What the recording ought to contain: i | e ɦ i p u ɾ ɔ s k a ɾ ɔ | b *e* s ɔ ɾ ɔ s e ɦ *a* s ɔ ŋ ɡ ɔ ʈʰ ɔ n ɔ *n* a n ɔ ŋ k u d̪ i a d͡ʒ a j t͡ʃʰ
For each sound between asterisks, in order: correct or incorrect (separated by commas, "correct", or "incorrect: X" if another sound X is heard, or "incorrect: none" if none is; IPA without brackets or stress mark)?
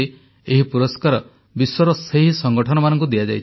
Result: incorrect: i, incorrect: i, incorrect: m